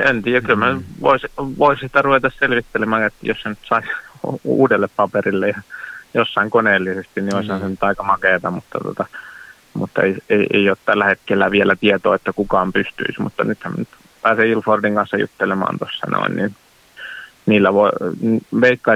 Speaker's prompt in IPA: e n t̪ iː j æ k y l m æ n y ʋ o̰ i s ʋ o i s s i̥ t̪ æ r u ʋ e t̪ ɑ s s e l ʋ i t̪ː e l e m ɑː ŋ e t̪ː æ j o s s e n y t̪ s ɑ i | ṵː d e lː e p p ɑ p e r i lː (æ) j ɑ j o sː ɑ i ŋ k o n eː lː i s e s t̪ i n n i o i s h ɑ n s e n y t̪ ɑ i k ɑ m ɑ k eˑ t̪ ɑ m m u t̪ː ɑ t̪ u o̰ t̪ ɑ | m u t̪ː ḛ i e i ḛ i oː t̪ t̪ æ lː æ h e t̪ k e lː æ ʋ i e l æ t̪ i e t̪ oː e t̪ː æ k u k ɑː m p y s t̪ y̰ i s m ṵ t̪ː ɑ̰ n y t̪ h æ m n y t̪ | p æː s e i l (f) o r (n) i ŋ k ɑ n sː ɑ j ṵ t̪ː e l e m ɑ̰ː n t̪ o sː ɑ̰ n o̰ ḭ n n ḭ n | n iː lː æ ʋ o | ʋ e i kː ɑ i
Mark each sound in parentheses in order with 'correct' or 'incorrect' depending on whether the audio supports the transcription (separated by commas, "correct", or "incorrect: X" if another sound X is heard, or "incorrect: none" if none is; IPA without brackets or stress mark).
incorrect: e, correct, incorrect: d